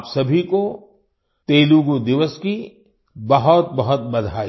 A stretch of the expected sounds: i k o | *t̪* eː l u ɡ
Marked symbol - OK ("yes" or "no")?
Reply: yes